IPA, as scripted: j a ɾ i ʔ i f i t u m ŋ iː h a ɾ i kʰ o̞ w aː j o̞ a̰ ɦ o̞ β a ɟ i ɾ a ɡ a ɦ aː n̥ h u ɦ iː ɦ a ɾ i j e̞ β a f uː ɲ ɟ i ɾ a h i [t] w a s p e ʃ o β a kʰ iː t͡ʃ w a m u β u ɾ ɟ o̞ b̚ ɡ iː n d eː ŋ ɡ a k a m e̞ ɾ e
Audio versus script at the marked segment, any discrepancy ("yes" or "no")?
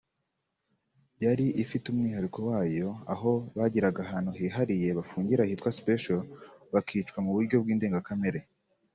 no